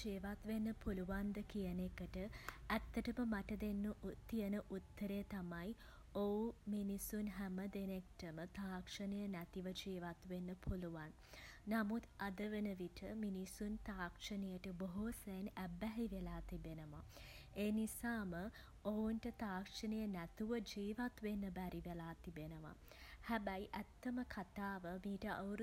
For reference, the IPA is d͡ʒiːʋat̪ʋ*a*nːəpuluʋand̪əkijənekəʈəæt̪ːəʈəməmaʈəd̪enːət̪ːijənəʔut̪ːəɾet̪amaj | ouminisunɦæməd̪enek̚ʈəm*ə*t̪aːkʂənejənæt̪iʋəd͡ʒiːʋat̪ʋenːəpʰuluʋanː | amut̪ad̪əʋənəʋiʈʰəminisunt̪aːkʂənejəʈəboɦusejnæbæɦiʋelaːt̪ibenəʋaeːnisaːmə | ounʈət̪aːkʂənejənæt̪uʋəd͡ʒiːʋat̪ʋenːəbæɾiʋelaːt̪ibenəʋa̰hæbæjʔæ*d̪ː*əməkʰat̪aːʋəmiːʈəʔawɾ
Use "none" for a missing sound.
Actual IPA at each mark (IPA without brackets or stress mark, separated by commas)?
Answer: e, ə, t̪ː